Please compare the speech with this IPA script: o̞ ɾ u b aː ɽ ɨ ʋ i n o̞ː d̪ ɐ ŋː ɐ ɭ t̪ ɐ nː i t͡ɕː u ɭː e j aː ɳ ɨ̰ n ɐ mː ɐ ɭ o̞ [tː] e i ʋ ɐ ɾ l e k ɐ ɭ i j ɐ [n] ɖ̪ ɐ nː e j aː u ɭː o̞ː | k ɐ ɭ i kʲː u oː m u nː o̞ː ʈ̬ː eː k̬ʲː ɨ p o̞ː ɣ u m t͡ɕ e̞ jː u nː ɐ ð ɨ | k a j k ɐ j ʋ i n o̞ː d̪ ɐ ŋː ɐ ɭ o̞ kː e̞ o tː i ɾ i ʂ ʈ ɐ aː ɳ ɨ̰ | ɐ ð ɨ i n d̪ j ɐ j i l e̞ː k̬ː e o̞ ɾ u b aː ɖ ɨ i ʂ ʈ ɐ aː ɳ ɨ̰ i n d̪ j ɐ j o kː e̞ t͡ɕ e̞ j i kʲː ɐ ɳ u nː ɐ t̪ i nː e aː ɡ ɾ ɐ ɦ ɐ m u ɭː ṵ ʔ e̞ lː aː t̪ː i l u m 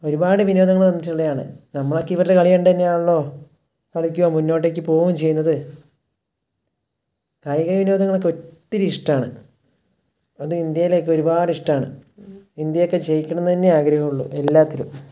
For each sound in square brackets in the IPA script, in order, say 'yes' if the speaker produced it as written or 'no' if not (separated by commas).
no, no